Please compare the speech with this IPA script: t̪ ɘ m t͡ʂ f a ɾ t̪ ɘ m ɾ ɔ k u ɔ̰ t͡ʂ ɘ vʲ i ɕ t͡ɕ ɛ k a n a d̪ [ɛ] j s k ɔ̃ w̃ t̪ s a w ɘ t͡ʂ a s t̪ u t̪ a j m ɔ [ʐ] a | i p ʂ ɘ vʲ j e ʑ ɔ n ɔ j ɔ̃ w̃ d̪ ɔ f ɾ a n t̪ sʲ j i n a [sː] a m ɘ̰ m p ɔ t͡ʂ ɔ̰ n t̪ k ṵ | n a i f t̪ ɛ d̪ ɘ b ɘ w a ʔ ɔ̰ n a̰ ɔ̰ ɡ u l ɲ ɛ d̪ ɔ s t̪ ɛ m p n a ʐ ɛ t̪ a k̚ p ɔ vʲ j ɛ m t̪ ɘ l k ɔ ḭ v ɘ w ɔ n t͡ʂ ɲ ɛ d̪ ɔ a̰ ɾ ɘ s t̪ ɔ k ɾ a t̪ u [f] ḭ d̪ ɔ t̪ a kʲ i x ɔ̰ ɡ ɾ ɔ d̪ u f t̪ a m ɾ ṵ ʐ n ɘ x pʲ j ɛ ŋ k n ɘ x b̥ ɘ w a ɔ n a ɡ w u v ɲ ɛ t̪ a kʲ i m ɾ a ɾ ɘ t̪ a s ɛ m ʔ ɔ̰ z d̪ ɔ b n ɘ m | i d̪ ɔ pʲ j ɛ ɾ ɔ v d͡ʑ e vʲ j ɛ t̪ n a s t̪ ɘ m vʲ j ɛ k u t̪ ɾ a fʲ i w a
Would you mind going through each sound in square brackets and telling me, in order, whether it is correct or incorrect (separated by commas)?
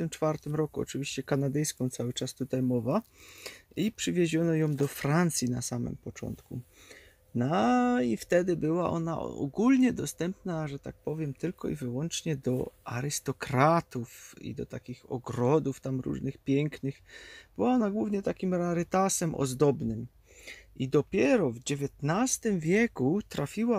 correct, incorrect, incorrect, correct